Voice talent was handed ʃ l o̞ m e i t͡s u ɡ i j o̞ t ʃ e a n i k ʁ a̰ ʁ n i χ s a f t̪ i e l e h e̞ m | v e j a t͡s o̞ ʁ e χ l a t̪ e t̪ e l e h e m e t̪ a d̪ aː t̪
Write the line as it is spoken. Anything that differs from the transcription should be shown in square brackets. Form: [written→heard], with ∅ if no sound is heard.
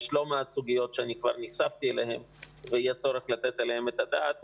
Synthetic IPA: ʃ l o̞ m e [i→a] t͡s u ɡ i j o̞ t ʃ e a n i k [ʁ→v] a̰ ʁ n i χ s a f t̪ i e l e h e̞ m | v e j a t͡s o̞ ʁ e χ l a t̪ e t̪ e l e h e m e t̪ a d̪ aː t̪